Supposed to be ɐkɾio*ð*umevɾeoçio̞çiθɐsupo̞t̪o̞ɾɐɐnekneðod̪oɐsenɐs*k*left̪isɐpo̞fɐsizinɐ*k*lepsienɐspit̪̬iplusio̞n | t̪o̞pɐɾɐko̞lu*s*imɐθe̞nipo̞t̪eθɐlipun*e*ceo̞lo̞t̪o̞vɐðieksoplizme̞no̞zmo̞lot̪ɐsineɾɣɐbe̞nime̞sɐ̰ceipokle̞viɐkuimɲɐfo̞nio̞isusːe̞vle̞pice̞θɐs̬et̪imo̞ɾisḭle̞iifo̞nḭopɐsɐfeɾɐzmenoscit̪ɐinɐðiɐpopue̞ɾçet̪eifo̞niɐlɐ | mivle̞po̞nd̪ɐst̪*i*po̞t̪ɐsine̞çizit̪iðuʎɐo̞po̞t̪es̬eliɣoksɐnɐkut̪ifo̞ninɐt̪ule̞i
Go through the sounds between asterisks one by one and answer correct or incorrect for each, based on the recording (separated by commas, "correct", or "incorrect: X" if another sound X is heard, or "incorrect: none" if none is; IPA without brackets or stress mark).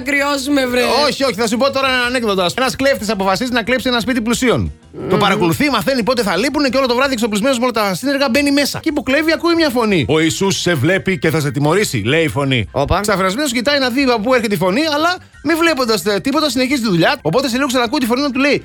incorrect: z, correct, correct, incorrect: θ, correct, correct